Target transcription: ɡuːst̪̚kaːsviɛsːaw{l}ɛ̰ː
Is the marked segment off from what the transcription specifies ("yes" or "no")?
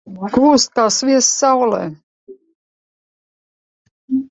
no